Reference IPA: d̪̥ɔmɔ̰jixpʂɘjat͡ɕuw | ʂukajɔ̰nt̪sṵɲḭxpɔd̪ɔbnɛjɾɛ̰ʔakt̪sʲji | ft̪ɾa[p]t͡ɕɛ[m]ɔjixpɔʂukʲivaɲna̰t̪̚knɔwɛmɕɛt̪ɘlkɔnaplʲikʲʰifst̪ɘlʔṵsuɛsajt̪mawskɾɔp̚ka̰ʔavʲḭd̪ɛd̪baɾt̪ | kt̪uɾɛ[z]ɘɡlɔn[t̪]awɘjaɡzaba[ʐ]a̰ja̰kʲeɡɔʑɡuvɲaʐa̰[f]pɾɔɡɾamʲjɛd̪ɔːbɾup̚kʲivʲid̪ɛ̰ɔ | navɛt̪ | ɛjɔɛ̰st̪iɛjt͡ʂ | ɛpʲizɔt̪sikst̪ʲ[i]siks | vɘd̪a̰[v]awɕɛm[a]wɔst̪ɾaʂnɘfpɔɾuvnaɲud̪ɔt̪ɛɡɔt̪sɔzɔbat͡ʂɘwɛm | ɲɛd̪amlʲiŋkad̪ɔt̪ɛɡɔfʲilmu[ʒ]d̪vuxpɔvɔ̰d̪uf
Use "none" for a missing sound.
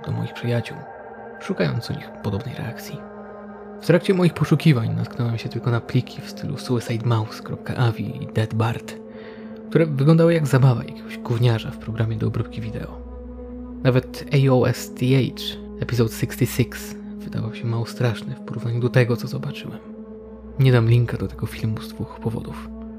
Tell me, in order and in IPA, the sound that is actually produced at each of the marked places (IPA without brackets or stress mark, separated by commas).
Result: k, m, v, d̪, v, f, i, v, a, z